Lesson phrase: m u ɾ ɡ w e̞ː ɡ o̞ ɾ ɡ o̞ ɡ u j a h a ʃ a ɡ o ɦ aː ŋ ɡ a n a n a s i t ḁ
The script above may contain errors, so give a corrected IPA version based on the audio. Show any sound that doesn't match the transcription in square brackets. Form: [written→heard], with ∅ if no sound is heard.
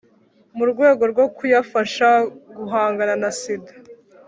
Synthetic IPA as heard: m u ɾ ɡ w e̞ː ɡ o̞ ɾ ɡ o̞ [ɡ→k] u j a [h→f] a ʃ a ɡ [o→u] ɦ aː ŋ ɡ a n a n a s i [t→d] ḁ